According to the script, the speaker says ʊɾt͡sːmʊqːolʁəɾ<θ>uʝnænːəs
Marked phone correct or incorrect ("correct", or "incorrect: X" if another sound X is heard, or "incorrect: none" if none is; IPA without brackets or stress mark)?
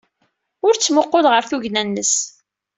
correct